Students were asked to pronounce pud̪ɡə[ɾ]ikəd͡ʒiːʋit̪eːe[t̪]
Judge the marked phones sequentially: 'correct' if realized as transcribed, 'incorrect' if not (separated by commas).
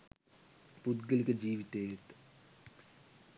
incorrect, correct